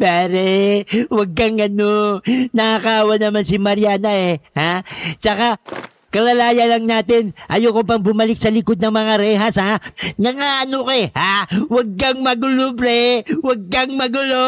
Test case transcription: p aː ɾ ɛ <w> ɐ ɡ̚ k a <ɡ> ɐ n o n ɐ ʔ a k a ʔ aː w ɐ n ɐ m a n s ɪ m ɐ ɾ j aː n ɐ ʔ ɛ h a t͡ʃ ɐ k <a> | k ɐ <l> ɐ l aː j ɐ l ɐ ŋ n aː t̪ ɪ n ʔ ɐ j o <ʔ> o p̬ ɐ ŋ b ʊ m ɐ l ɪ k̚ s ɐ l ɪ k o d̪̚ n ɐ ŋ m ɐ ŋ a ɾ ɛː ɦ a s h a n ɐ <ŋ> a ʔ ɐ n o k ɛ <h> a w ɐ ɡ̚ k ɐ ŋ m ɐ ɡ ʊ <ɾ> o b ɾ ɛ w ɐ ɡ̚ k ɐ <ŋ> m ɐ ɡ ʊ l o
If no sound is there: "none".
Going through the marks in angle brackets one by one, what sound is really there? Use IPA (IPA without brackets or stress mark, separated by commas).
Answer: w, ŋ, a, l, k, ŋ, h, l, ŋ